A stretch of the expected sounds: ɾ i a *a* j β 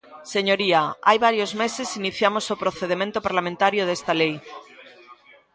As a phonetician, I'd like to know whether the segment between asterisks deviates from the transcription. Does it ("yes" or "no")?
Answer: no